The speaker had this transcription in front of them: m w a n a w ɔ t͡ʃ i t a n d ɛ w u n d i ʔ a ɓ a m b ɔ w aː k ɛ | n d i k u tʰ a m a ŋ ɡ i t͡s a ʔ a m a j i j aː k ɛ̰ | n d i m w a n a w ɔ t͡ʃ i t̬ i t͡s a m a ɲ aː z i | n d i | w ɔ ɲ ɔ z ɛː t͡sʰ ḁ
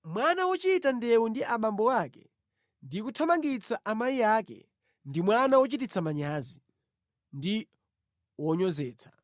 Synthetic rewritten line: m w a n a w ɔ t͡ʃ i t a n d ɛ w u n d i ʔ a ɓ a m b ɔ w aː k ɛ | n d i k u tʰ a m a ŋ ɡ i t͡s a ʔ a m a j i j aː k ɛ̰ | n d i m w a n a w ɔ t͡ʃ i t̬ i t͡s a m a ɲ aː z i | n d i | w ɔ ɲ ɔ z ɛː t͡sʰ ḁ